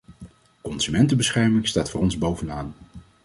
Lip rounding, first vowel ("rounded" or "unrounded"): rounded